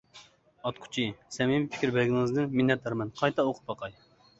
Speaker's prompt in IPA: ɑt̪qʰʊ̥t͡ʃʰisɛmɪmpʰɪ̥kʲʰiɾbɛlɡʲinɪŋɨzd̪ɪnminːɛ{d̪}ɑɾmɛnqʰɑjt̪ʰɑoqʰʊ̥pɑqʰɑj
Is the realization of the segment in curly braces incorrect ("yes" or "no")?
yes